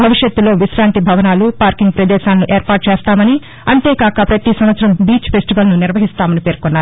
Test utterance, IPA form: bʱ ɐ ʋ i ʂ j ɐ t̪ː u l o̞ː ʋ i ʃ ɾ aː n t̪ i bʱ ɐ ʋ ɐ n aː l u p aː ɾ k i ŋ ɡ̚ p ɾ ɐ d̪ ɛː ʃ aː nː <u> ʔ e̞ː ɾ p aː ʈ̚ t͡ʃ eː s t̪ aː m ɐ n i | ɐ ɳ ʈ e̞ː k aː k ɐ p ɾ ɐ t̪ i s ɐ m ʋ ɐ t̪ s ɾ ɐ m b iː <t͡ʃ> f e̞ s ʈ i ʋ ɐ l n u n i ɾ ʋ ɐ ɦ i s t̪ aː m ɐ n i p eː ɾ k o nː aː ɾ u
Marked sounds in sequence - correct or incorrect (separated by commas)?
correct, correct